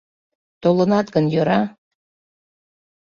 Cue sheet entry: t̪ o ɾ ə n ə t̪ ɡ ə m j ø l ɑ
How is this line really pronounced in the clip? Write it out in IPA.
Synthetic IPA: t̪ o l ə n ɑ t̪ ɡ ə n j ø ɾ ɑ